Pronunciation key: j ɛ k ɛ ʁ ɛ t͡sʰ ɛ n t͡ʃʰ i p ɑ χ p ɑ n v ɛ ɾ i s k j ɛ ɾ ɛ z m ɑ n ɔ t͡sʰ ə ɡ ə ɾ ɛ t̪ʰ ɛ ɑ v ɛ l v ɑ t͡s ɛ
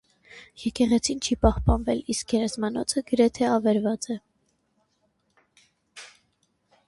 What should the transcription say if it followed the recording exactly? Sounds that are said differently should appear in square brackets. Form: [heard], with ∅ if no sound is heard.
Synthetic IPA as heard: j ɛ k ɛ ʁ ɛ t͡sʰ [i] n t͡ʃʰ i p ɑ [h] p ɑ n v ɛ [l] i s k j ɛ ɾ ɛ z m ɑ n ɔ t͡sʰ ə ɡ ə ɾ ɛ t̪ʰ ɛ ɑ v ɛ [ɾ] v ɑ t͡s ɛ